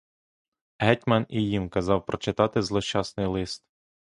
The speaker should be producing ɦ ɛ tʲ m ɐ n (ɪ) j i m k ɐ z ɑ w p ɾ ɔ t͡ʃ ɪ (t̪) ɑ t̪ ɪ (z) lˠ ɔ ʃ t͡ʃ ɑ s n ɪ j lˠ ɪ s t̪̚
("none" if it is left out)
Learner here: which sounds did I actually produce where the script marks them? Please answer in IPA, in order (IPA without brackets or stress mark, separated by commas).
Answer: i, t̪, z